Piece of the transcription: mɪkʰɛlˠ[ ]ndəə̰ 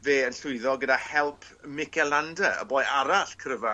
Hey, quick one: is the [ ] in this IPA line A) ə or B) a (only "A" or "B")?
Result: B